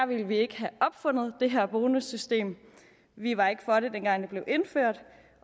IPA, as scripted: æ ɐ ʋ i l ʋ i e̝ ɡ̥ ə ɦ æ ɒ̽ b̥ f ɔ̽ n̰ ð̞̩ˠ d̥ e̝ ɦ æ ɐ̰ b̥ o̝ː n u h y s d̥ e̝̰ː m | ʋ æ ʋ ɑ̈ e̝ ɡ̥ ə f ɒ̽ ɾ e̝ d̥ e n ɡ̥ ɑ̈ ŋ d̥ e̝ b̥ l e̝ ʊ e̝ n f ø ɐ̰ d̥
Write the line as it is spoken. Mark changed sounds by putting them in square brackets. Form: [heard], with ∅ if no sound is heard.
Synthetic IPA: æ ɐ ʋ i l ʋ i e̝ ɡ̥ ə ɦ æ ɒ̽ b̥ f ɔ̽ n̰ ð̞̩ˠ d̥ e̝ ɦ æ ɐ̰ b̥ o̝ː n u [s] y s d̥ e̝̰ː m | ʋ [i] ʋ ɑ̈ e̝ ɡ̥ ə f ɒ̽ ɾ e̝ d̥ e n ɡ̥ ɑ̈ ŋ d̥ e̝ b̥ l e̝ ʊ e̝ n f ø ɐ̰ d̥